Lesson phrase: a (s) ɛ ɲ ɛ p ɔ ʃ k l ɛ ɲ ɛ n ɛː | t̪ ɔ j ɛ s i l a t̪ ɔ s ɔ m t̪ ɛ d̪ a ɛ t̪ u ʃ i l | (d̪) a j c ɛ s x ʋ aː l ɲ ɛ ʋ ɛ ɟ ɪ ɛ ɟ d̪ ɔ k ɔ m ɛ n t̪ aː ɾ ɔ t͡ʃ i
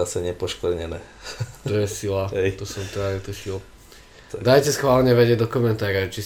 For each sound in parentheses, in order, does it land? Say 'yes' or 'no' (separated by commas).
yes, yes